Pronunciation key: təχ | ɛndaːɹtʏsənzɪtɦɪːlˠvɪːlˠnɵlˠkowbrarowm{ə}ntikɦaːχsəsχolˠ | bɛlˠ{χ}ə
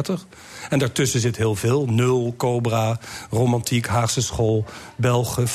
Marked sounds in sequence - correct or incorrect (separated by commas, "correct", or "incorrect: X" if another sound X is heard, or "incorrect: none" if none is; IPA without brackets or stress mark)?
incorrect: ɑ, correct